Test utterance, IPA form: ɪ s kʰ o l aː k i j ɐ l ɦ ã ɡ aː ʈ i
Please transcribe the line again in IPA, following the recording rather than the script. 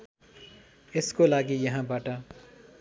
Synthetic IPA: ɪ s k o l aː ɡ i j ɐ ɦ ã b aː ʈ a